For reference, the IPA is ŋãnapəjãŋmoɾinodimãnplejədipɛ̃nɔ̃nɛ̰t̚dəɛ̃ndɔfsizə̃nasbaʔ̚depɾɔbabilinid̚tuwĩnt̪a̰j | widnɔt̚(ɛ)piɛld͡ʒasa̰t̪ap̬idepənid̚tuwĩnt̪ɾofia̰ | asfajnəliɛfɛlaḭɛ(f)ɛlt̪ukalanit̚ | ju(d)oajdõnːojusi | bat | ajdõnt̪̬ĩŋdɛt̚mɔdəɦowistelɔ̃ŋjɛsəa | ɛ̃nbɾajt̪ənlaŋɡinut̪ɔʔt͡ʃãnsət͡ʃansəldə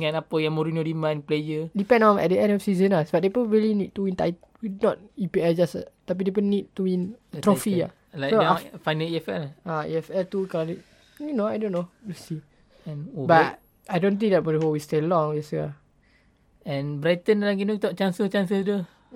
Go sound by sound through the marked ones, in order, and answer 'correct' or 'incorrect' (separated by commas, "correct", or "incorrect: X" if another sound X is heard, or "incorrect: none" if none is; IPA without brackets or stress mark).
incorrect: i, correct, incorrect: n